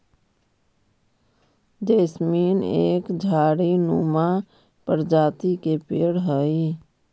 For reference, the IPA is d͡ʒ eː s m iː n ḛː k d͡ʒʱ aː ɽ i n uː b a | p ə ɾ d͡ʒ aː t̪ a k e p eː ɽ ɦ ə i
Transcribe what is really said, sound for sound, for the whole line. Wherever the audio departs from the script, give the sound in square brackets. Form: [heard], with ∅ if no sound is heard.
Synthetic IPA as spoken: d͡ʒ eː s m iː n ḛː k d͡ʒʱ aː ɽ i n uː [m] a | p ə ɾ d͡ʒ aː t̪ [i] k e p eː ɽ ɦ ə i